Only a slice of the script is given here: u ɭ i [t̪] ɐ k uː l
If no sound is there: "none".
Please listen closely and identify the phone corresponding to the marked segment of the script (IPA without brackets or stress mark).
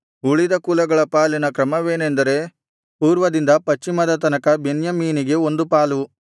d̪